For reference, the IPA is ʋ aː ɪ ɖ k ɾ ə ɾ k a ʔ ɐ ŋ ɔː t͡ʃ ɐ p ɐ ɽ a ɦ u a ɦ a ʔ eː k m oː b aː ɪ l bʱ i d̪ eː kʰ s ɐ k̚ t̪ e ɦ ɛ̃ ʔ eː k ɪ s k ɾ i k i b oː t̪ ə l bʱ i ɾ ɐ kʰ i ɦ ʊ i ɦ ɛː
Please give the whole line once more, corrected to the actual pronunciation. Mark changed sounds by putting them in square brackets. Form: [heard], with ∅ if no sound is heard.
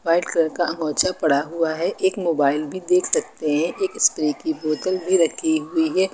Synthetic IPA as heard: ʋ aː ɪ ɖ k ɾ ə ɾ k a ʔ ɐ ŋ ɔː t͡ʃ [a] p ɐ ɽ a ɦ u a ɦ [ɛ] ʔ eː k m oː b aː ɪ l bʱ i d̪ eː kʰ s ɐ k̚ t̪ e ɦ ɛ̃ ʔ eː k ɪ s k ɾ i k i b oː t̪ ə l bʱ i ɾ ɐ kʰ i ɦ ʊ i ɦ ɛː